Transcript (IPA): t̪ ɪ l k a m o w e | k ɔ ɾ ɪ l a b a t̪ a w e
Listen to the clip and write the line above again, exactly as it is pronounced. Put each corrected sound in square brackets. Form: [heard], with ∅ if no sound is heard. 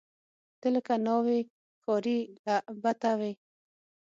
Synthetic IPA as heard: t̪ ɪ l k a [n] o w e | k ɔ ɾ [i] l a b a t̪ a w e